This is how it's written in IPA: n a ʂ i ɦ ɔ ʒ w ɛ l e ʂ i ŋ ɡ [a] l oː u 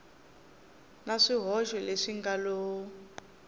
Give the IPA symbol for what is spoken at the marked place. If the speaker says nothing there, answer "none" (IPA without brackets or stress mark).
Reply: a